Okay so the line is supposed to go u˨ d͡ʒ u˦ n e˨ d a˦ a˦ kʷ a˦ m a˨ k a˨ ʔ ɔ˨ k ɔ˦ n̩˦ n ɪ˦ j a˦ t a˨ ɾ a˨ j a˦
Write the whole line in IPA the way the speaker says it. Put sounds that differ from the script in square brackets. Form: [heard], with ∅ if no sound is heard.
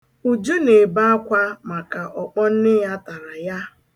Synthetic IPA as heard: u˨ d͡ʒ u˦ n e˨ [b] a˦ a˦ kʷ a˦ m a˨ k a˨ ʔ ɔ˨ [k͡p] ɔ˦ n̩˦ n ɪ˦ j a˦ t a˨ ɾ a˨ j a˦